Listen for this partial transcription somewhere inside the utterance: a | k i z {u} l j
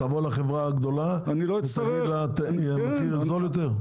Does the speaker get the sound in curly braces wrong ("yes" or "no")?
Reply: yes